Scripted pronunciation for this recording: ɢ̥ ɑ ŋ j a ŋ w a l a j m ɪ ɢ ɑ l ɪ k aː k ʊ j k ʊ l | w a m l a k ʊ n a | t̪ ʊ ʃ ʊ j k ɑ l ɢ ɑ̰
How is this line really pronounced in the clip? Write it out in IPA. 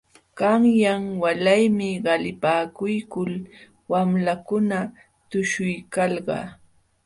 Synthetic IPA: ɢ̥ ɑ ŋ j a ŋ w a l a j m ɪ ɢ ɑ l ɪ p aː k ʊ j k ʊ l | w a m l a k ʊ n a | t̪ ʊ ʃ ʊ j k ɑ l ɢ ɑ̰

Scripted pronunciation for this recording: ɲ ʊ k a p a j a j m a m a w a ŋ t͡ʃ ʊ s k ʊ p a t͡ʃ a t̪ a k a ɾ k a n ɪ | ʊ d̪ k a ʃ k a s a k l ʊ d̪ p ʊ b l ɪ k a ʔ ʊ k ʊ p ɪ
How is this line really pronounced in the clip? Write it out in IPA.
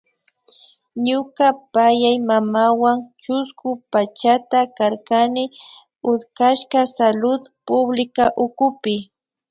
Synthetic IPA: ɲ ʊ k a p a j a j m a m a w a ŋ t͡ʃ ʊ s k ʊ p a t͡ʃ a t̪ a k a ɾ k a n ɪ | ʊ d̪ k a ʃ k a s a l ʊ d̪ p ʊ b l ɪ k a ʔ ʊ k ʊ p ɪ

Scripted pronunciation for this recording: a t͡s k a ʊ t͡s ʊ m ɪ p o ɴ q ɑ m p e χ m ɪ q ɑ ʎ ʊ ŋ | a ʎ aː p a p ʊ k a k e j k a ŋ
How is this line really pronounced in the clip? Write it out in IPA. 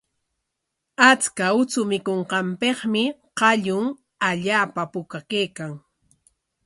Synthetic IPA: a t͡s k a ʊ t͡s ʊ m ɪ k o ɴ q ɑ m p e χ m ɪ q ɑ ʎ ʊ ŋ | a ʎ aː p a p ʊ k a k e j k a ŋ

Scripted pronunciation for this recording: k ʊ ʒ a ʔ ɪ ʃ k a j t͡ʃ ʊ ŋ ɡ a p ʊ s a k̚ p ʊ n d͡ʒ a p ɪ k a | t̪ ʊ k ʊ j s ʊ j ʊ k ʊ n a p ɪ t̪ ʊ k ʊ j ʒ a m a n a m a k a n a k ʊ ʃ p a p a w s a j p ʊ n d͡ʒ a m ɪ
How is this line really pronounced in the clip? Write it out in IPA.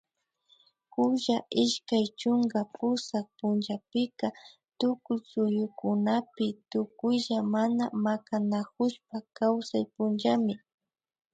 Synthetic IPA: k ʊ ʒ a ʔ ɪ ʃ k a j t͡ʃ ʊ ŋ ɡ a p ʊ s a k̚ p ʊ n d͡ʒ a p ɪ k a | t̪ ʊ k ʊ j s ʊ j ʊ k ʊ n a p ɪ t̪ ʊ k ʊ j ʒ a m a n a m a k a n a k ʊ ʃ p a k a w s a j p ʊ n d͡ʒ a m ɪ

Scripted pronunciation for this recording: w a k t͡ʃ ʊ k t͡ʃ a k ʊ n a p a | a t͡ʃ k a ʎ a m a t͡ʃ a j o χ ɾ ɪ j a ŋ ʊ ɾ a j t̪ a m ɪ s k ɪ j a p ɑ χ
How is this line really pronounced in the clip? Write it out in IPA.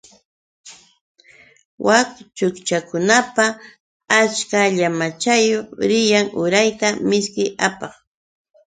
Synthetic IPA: w a k t͡ʃ ʊ k t͡ʃ a k ʊ n a p a | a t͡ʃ k a ʎ a m a t͡ʃ a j o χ ɾ ɪ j a ŋ ʊ ɾ a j t̪ a m ɪ s k ɪ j a p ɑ χ

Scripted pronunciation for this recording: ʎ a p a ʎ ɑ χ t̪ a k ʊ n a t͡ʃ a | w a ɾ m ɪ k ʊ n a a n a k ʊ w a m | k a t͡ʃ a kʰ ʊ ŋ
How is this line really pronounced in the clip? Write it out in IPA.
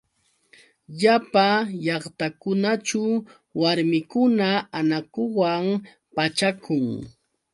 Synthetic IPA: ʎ a p a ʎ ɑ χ t̪ a k ʊ n a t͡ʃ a | w a ɾ m ɪ k ʊ n a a n a k ʊ w a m | p a t͡ʃ a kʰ ʊ ŋ

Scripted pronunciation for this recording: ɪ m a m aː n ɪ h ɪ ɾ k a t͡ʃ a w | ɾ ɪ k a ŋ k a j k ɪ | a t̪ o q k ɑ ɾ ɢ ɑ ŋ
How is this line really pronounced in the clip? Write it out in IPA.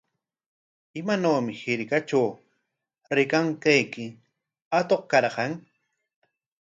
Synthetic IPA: ɪ m a n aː m ɪ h ɪ ɾ k a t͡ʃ a w | ɾ ɪ k a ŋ k a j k ɪ | a t̪ o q k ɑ ɾ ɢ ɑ ŋ

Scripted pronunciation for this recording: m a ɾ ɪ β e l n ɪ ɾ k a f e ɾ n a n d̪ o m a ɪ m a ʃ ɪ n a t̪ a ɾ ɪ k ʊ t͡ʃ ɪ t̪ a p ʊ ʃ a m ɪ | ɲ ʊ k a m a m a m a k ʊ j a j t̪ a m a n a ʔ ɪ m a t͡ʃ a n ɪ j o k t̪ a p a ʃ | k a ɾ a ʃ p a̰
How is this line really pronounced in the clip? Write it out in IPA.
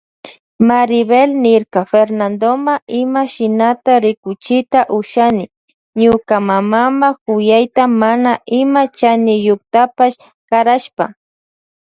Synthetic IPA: m a ɾ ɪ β e l n ɪ ɾ k a f e ɾ n a n d̪ o m a ɪ m a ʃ ɪ n a t̪ a ɾ ɪ k ʊ t͡ʃ ɪ t̪ a ʔ ʊ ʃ a n ɪ | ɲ ʊ k a m a m a m a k ʊ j a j t̪ a m a n a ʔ ɪ m a t͡ʃ a n ɪ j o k t̪ a p a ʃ | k a ɾ a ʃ p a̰

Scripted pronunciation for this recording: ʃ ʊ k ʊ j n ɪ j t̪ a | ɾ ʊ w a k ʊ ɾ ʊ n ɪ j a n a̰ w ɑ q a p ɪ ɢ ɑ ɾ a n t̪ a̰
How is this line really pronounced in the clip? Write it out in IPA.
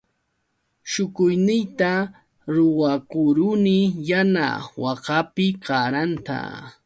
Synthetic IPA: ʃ ʊ k ʊ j n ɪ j t̪ a | ɾ ʊ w a k ʊ ɾ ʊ n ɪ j a n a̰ w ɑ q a p ɪ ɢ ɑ ɾ a n t̪ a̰

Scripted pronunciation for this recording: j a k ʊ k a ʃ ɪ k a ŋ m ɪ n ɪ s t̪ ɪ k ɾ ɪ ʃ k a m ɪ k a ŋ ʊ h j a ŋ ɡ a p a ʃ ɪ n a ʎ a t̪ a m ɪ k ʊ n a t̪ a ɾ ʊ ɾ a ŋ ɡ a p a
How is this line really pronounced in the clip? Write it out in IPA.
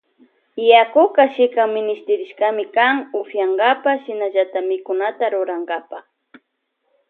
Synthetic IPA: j a k ʊ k a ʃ ɪ k a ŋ m ɪ n ɪ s t̪ ɪ ɾ ɪ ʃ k a m ɪ k a ŋ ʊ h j a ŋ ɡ a p a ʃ ɪ n a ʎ a t̪ a m ɪ k ʊ n a t̪ a ɾ ʊ ɾ a ŋ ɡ a p a

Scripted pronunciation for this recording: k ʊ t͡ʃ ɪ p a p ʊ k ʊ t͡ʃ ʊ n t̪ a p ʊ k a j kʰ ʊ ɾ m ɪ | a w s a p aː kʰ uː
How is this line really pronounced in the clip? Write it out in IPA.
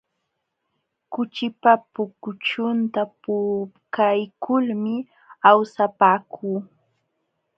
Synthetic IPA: k ʊ t͡ʃ ɪ p a p ʊ k ʊ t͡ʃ ʊ n t̪ a p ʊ k a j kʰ ʊ l m ɪ | a w s a p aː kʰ uː

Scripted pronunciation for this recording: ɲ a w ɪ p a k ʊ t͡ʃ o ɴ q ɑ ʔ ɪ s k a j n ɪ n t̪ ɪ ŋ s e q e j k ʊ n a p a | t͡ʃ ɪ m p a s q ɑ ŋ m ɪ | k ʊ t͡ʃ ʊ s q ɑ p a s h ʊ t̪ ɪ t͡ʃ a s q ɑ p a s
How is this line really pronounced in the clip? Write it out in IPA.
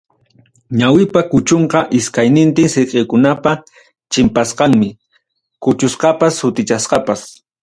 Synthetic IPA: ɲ a w ɪ p a k ʊ t͡ʃ o ɴ q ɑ ʔ ɪ s k a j n ɪ n t̪ ɪ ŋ s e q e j k ʊ n a p a | t͡ʃ ɪ m p a s q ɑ ŋ m ɪ | k ʊ t͡ʃ ʊ s q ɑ p a s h ʊ t̪ ɪ t͡ʃ a s q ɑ p a s

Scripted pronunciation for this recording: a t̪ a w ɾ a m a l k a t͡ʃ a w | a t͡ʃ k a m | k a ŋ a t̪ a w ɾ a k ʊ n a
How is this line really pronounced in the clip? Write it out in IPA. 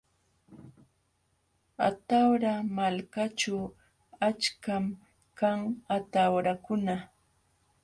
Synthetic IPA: a t̪ a w ɾ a m a l k a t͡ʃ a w | a t͡ʃ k a m | k a ŋ a t̪ a w ɾ a k ʊ n a

